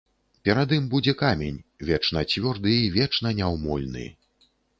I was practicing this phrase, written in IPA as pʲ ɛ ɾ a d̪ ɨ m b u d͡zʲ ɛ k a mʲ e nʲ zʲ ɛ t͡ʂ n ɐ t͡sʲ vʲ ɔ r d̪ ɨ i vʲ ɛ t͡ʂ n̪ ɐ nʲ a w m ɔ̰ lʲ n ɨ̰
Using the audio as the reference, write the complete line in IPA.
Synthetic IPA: pʲ ɛ ɾ a d̪ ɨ m b u d͡zʲ ɛ k a mʲ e nʲ vʲ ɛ t͡ʂ n ɐ t͡sʲ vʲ ɔ r d̪ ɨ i vʲ ɛ t͡ʂ n̪ ɐ nʲ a w m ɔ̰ lʲ n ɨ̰